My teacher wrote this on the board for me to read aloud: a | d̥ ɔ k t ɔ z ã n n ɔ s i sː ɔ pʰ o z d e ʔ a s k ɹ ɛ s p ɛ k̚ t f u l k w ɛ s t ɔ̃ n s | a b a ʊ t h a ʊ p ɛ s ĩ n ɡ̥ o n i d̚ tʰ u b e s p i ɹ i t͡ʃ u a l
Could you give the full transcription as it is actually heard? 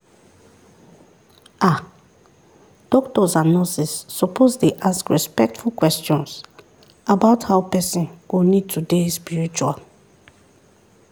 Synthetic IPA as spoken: a | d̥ ɔ k t ɔ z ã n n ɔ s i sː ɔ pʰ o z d e ʔ a s k ɹ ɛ s p ɛ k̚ t f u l k w ɛ s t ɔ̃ n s | a b a ʊ t h a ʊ p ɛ s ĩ n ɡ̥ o n i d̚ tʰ u d e s p i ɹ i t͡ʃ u a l